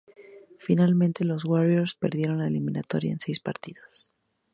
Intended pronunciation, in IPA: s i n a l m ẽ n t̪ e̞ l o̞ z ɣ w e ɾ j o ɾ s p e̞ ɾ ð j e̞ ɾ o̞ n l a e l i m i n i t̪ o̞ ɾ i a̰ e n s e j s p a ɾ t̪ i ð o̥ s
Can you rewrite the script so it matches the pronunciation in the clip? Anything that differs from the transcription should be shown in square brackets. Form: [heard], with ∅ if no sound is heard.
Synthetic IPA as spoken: [f] i n a l m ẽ n t̪ e̞ l o̞ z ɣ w [a] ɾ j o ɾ s p e̞ ɾ ð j e̞ ɾ o̞ n l a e l i m i n [a] t̪ o̞ ɾ [j] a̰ e n s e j s p a ɾ t̪ i ð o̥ s